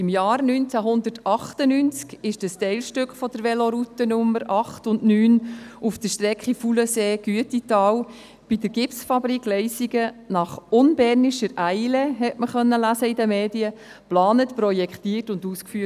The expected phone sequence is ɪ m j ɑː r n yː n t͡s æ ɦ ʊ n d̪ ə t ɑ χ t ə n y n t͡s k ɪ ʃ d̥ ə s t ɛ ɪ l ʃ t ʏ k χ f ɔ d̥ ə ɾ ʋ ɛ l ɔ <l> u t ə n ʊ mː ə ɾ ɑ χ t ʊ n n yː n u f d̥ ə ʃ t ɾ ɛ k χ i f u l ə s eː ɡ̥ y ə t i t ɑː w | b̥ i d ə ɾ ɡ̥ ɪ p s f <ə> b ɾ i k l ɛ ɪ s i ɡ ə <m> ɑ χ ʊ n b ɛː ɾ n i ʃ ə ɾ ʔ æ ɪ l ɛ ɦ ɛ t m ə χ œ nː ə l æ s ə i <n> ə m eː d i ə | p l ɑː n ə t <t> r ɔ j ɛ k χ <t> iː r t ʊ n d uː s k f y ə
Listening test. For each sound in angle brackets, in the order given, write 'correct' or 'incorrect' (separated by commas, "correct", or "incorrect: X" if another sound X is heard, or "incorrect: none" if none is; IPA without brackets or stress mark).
incorrect: ɾ, incorrect: ɑ, incorrect: n, incorrect: d, incorrect: p, correct